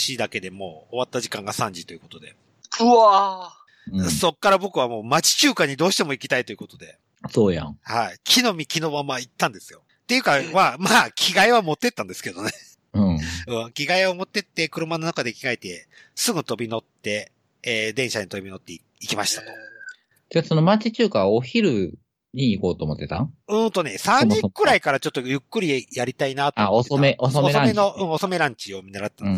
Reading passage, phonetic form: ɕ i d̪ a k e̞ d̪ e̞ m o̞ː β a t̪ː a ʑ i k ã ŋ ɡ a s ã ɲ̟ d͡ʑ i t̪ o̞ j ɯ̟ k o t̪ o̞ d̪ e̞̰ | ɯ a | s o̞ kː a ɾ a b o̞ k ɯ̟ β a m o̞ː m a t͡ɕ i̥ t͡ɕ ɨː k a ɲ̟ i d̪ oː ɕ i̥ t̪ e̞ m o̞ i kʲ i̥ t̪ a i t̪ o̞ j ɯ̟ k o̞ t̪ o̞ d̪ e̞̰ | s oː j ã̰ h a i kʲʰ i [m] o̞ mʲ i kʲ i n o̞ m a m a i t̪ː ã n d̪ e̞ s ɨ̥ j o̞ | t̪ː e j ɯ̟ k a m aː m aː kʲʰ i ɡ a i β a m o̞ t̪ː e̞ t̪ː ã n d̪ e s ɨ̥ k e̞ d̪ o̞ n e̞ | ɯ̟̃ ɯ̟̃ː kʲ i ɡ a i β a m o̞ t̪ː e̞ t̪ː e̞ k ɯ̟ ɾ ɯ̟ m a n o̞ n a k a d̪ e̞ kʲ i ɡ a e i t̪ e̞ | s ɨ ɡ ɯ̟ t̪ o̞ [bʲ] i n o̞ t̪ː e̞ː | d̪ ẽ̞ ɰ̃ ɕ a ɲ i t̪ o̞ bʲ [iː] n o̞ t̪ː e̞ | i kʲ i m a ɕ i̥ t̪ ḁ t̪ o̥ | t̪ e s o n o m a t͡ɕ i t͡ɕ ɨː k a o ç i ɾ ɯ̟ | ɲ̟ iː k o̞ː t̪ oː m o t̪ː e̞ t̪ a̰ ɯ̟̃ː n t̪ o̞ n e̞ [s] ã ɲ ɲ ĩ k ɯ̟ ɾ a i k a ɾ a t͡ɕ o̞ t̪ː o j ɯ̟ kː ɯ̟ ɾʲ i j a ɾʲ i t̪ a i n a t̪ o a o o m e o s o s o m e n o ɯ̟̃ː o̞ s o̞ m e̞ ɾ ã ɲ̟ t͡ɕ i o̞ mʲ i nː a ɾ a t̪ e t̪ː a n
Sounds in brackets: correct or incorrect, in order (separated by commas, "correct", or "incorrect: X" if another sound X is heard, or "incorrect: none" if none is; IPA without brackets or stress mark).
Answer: incorrect: n, correct, incorrect: i, correct